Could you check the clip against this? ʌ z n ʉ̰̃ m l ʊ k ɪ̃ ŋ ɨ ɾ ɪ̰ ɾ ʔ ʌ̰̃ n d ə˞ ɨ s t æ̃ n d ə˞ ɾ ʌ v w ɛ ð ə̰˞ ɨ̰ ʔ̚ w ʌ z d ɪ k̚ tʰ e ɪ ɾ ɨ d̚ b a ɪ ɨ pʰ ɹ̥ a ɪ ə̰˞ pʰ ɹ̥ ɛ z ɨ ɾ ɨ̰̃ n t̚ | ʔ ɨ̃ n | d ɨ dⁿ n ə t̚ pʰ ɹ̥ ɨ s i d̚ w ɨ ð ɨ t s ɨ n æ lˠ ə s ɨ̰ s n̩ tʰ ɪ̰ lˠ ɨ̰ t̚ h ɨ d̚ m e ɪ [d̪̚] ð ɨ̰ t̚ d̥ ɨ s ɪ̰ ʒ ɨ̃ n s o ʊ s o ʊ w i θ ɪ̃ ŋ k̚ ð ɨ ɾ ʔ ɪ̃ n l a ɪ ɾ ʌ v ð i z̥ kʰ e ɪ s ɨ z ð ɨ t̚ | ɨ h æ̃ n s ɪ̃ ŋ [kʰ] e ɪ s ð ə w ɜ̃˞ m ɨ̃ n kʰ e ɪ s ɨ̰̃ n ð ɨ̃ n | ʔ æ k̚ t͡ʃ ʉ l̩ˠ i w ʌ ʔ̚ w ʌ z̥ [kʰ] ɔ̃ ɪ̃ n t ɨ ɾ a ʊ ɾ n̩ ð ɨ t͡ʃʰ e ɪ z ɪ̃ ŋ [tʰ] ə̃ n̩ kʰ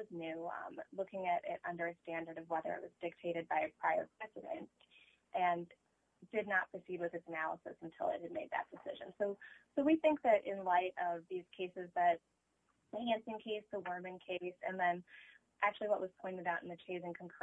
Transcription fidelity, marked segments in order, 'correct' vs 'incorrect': correct, correct, incorrect: pʰ, incorrect: kʰ

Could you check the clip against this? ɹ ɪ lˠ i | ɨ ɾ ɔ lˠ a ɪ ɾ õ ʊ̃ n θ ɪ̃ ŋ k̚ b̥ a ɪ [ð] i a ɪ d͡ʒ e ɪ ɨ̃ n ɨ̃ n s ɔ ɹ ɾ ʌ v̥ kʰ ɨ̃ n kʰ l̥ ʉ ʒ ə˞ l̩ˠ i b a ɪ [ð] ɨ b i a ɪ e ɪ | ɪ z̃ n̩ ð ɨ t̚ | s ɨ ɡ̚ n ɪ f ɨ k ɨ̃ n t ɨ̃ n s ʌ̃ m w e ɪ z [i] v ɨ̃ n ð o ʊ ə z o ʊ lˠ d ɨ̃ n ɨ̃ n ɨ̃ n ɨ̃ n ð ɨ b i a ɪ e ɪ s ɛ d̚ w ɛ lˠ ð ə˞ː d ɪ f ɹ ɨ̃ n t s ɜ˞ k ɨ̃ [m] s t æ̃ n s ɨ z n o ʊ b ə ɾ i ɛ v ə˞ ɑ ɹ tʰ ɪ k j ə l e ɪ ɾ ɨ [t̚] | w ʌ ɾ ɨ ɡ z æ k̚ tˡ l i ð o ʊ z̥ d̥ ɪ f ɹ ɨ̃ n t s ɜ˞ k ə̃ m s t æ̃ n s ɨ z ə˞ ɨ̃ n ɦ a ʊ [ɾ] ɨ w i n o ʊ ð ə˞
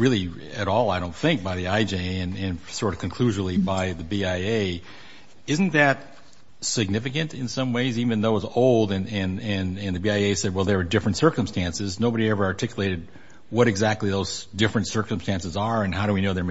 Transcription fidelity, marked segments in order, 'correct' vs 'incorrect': correct, correct, correct, correct, incorrect: d̚, correct

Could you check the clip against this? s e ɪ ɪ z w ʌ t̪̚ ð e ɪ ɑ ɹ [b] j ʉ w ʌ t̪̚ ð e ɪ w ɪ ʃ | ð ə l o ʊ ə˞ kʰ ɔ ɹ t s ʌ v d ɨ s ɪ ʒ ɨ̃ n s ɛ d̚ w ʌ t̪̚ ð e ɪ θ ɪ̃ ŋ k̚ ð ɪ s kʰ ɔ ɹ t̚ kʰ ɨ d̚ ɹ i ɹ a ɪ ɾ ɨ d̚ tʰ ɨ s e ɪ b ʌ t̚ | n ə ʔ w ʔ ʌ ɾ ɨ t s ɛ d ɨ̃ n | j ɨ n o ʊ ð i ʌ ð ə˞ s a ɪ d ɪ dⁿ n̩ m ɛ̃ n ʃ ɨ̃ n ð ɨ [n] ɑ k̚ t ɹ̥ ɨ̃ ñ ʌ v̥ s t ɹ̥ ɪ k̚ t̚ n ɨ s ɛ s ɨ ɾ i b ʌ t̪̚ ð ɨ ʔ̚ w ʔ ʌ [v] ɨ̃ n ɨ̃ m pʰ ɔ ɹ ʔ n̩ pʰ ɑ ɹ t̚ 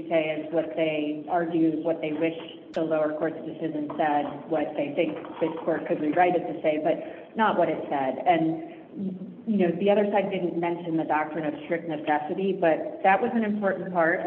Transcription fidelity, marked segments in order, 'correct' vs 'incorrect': incorrect: ɡ, incorrect: d, incorrect: z

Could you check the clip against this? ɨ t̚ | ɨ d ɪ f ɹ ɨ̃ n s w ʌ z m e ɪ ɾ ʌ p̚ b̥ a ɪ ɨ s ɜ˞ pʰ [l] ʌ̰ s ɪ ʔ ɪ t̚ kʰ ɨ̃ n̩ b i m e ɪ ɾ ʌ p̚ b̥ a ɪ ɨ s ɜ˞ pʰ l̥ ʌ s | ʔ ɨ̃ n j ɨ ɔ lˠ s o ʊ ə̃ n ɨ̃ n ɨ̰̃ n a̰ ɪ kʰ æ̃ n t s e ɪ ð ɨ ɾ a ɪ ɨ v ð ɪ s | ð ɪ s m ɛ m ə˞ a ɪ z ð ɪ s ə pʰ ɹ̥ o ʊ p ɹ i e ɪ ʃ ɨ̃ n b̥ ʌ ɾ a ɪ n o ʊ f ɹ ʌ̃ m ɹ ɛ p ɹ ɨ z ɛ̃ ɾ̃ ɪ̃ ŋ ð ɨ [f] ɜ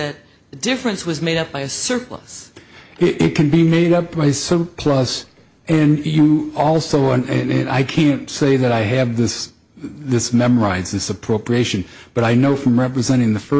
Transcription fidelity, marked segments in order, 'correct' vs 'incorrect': correct, correct

